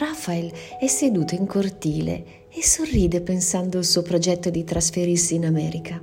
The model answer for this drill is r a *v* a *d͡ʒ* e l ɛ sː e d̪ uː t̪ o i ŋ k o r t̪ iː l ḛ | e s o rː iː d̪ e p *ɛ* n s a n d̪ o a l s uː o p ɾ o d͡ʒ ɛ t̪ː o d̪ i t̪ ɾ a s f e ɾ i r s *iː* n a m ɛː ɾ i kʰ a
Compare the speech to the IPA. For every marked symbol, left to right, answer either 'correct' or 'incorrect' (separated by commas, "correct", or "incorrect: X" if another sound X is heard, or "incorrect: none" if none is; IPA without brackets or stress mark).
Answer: incorrect: f, incorrect: none, incorrect: e, correct